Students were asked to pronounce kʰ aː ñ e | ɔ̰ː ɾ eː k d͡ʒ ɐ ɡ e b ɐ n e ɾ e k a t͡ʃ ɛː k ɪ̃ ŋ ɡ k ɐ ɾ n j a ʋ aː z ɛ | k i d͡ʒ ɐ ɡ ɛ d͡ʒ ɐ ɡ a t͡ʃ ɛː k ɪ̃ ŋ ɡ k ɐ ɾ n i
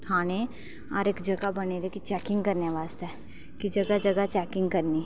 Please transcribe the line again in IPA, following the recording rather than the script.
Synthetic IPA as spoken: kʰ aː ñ e | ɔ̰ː ɾ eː k d͡ʒ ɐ ɡ a b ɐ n e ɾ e k i t͡ʃ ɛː k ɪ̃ ŋ ɡ k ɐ ɾ n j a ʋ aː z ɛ | k i d͡ʒ ɐ ɡ a d͡ʒ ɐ ɡ a t͡ʃ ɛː k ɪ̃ ŋ ɡ k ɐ ɾ n i